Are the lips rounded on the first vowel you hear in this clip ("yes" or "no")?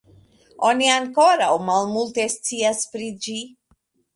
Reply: yes